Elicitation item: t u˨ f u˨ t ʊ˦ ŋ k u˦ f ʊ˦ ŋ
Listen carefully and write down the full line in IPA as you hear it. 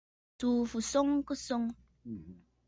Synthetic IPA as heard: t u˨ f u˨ s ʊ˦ ŋ k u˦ s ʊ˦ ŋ